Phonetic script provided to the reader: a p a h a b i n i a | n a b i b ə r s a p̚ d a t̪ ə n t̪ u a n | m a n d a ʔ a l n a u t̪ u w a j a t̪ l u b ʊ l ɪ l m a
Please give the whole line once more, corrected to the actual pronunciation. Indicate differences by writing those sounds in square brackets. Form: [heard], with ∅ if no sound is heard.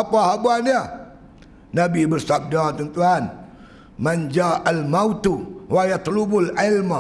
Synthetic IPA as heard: a p a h a b [a] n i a | n a b i b ə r s a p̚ d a t̪ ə n t̪ u a n | m a n [d͡ʒ] a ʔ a l [m] a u t̪ u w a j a t̪ l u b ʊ l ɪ l m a